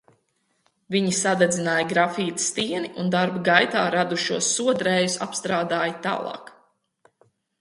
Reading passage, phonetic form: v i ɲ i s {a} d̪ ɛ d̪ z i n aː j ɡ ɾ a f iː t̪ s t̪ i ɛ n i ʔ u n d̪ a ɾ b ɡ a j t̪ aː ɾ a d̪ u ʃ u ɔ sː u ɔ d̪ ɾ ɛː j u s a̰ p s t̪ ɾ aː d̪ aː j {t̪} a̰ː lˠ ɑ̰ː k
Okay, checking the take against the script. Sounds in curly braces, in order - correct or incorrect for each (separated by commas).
correct, correct